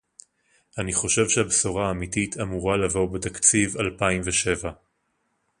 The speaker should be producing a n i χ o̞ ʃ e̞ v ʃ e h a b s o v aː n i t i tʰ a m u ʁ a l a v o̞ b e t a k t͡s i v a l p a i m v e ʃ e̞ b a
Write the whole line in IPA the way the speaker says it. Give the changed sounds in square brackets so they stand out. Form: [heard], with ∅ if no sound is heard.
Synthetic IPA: a n i χ o̞ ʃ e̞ v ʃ e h a b s o [ʁ] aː [m] i t i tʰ a m u ʁ a l a v o̞ b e t a k t͡s i v a l p a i m v e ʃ e̞ [v] a

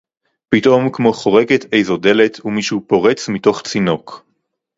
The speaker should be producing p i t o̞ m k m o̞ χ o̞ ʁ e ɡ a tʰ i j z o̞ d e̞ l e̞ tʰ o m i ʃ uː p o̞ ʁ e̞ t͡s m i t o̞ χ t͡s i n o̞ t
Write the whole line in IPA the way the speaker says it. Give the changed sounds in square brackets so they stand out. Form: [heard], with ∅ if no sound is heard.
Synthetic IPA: p i t o̞ m k m o̞ χ o̞ ʁ e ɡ [e] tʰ [e] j z o̞ d e̞ l e̞ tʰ [u] m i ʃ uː p o̞ ʁ e̞ t͡s m i t o̞ χ t͡s i n o̞ [k]

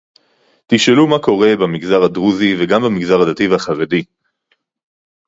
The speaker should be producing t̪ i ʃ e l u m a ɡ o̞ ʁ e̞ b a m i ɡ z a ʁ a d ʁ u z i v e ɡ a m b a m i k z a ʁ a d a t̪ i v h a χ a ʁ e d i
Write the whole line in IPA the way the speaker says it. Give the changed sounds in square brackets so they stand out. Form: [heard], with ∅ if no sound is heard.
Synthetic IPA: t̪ i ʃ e l u m a [k] o̞ ʁ e̞ b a m i ɡ z a ʁ a d ʁ u z i v e ɡ a m b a m i [ɡ] z a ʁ a d a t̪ i v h a χ a ʁ e d i

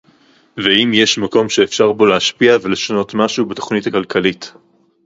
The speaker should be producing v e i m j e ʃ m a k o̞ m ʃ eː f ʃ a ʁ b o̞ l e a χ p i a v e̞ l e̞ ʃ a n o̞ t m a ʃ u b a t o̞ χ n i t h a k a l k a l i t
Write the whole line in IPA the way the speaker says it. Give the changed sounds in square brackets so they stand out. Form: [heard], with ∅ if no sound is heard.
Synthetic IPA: v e i m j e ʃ m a k o̞ m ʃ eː f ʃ a ʁ b o̞ l e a [ʃ] p i a v e̞ l e̞ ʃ a n o̞ t m a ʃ u b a t o̞ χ n i t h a k a l k a l i t

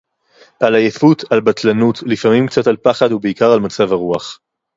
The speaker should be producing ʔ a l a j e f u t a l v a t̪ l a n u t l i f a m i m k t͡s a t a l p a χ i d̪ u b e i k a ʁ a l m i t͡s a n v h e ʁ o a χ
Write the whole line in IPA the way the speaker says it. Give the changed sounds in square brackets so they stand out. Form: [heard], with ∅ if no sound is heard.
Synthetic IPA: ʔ a l a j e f u t a l [b] a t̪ l a n u t l i f a m i m k t͡s a t a l p a χ [a] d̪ u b e i k a ʁ a l m [a] t͡s a [∅] v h [a] ʁ [u] a χ

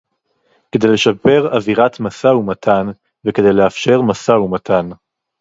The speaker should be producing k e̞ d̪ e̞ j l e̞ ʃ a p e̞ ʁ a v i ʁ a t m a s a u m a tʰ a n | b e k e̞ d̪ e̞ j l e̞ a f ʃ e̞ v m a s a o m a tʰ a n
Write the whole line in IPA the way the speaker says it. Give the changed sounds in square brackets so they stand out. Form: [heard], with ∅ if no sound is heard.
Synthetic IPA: k e̞ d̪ e̞ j l e̞ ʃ a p e̞ ʁ a v i ʁ a t m a s a u m a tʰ a n | [v] e k e̞ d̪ e̞ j l e̞ a f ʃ e̞ [ʁ] m a s a [u] m a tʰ a n

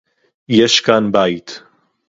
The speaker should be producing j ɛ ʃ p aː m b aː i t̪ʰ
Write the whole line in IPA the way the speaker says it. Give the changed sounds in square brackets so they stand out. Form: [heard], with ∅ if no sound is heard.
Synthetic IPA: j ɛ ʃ [k] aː [n] b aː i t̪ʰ

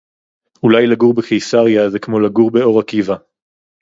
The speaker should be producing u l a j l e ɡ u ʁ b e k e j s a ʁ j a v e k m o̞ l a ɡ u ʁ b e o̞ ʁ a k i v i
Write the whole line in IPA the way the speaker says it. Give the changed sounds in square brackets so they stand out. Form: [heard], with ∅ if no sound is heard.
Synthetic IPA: u l a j l [a] ɡ u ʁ b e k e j s a ʁ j a [z] e k m o̞ l a ɡ u ʁ b e o̞ ʁ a k i v [a]

